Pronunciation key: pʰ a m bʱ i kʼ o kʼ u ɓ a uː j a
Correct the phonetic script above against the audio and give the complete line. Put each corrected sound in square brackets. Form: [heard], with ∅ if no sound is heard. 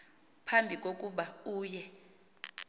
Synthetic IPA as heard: pʰ a m bʱ i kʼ o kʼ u ɓ a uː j [ɛ]